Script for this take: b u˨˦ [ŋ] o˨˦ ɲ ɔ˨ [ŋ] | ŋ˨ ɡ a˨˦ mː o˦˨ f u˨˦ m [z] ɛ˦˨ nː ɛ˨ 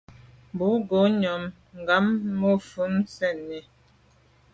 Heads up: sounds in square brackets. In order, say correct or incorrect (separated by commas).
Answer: incorrect, incorrect, incorrect